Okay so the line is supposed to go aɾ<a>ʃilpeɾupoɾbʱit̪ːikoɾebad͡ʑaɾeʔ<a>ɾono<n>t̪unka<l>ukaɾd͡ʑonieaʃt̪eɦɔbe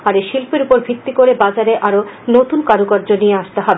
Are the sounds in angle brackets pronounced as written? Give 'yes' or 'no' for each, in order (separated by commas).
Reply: no, yes, no, no